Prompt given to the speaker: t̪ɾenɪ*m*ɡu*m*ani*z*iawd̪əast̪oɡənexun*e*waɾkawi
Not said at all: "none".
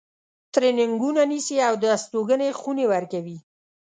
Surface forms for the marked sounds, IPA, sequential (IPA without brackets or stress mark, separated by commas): ŋ, n, s, e